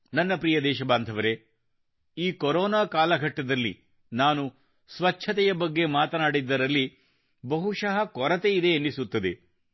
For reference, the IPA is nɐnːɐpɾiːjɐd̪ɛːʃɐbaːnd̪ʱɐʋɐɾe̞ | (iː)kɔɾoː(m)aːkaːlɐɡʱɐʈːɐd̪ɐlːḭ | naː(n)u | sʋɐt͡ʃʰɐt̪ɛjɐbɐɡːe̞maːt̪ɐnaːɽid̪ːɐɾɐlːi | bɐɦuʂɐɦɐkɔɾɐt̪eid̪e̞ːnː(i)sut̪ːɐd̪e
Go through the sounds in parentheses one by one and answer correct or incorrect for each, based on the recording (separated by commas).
correct, incorrect, correct, correct